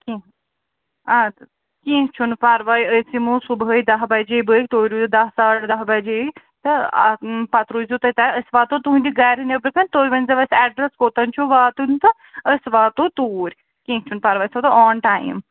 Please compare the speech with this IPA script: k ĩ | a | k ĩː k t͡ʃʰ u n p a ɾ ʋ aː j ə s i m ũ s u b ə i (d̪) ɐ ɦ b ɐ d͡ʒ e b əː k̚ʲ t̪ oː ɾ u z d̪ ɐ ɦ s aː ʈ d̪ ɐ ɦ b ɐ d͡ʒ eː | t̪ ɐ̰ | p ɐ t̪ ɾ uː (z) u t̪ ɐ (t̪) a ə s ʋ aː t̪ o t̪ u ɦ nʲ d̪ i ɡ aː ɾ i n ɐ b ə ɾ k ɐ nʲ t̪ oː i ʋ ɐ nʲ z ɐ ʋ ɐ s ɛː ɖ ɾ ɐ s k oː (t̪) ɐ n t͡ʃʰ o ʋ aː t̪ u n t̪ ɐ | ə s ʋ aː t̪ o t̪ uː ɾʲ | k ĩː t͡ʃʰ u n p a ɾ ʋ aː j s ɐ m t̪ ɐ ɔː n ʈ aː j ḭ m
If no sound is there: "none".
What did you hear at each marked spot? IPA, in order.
d̪, z, t̪, t̪

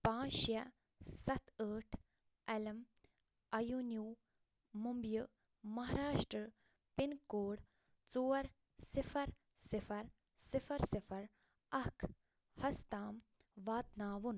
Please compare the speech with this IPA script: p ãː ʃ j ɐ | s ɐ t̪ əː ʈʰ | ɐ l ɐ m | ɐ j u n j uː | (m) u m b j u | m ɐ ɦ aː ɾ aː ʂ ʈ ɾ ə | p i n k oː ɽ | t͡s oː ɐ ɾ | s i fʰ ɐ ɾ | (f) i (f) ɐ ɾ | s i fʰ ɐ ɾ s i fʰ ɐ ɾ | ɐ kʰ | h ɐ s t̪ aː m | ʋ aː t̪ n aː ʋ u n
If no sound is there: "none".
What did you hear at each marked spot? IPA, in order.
m, s, f

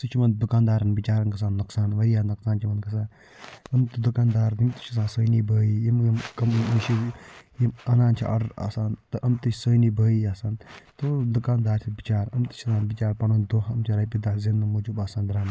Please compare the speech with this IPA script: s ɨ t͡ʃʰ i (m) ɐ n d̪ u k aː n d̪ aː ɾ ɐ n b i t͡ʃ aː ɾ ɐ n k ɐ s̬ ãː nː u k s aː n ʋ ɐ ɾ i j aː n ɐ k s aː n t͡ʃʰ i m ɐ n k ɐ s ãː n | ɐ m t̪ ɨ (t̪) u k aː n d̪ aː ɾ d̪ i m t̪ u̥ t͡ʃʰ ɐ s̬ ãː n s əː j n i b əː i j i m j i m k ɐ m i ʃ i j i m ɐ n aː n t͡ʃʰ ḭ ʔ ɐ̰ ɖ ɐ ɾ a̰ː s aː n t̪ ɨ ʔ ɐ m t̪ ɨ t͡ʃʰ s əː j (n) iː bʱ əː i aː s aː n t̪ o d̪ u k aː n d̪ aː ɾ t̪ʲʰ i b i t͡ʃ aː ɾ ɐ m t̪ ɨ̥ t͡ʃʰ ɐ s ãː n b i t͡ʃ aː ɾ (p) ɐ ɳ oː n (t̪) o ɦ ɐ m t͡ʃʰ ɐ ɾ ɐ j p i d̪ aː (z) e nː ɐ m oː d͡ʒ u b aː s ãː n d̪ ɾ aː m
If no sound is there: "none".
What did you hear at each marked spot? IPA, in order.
m, d̪, n, p, d̪, z

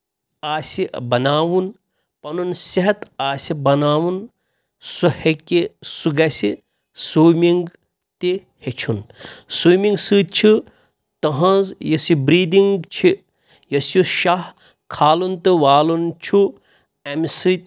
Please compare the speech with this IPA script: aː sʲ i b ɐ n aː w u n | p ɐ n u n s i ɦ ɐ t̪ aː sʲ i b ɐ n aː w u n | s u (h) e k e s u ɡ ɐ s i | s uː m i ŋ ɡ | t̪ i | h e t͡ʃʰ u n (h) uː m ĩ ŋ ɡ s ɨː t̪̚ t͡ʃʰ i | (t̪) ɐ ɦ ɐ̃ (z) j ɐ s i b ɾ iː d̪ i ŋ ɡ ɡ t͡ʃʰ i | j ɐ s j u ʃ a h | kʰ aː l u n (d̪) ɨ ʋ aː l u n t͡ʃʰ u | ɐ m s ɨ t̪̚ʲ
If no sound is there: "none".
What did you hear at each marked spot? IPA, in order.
h, s, t̪, z, t̪

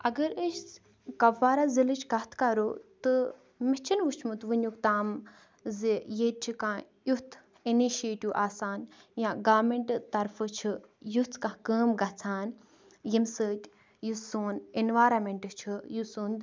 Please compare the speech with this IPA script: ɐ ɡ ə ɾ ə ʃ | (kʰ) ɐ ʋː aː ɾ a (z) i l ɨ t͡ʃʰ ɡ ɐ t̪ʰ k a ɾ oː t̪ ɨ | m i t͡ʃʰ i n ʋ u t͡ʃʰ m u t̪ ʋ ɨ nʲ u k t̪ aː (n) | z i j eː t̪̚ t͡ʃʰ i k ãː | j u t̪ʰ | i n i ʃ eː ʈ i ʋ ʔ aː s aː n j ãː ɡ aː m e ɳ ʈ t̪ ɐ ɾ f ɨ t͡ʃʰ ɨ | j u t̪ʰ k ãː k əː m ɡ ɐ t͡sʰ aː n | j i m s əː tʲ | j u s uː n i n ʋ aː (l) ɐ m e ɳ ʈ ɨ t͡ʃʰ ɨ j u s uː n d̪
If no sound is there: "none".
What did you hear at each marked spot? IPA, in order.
k, z, m, ɾ

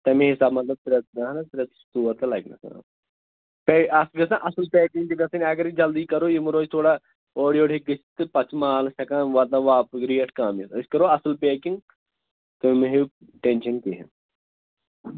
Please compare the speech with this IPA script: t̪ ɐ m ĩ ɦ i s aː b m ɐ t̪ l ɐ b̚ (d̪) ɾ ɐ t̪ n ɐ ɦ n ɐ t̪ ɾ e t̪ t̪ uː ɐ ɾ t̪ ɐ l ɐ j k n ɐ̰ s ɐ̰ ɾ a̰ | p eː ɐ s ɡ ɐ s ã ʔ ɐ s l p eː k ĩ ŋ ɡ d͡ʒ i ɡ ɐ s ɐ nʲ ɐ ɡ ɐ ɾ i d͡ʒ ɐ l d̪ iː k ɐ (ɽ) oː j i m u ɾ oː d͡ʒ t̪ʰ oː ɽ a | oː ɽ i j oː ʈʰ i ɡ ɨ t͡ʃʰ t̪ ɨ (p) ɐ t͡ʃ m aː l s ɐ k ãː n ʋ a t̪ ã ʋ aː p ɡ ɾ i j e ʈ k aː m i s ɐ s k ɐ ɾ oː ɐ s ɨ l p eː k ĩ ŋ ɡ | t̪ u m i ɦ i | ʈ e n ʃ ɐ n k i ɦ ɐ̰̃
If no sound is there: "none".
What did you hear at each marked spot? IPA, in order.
t̪, ɾ, p

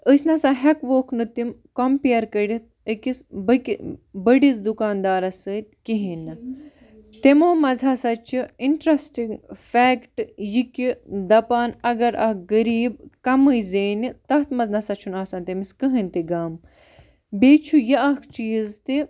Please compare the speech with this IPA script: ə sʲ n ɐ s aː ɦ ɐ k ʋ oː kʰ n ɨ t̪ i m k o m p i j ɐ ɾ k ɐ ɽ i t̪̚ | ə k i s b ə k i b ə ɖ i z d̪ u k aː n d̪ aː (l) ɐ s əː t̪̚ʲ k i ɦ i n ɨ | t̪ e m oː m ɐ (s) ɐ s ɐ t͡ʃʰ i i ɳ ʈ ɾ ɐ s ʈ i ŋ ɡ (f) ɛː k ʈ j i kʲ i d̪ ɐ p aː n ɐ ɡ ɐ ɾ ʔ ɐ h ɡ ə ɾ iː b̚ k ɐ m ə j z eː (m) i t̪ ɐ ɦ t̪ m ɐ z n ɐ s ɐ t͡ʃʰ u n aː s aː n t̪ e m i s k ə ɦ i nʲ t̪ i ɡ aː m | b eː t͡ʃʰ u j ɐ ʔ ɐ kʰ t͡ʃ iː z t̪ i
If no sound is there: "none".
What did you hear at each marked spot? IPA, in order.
ɾ, z, f, n

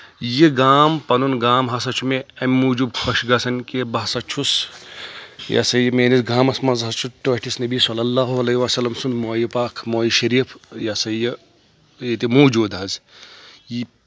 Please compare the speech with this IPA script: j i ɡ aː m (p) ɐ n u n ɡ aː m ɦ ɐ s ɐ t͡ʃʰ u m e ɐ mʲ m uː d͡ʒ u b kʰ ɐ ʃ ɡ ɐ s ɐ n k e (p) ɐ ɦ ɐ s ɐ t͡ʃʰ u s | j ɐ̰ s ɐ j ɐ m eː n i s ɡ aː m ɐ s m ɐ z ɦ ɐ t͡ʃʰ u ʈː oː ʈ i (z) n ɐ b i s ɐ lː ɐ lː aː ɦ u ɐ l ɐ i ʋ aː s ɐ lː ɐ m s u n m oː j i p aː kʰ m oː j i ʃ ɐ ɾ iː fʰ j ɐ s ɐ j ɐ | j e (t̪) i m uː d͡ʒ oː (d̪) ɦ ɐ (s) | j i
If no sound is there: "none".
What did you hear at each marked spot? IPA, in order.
p, b, s, t̪, d̪, z

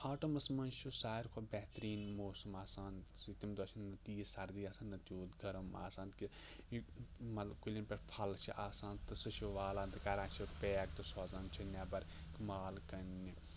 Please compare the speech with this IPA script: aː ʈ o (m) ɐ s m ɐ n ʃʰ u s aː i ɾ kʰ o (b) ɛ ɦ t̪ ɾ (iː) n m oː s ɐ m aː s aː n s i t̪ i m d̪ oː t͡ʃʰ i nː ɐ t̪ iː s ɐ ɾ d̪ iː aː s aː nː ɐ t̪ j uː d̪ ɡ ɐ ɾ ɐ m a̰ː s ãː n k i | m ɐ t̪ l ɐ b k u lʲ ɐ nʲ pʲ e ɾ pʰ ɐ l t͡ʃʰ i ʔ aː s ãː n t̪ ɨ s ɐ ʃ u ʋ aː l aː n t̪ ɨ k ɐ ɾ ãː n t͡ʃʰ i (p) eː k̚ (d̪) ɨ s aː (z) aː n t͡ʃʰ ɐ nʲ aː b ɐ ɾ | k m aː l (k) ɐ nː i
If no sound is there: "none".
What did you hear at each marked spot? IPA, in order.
m, b, iː, p, t̪, z, k

